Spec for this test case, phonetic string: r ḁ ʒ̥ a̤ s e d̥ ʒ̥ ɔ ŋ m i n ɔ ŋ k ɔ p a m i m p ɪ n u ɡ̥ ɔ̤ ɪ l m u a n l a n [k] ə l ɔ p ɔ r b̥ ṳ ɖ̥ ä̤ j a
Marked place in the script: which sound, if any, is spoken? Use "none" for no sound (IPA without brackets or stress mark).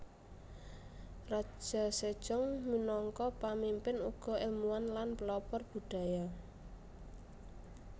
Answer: p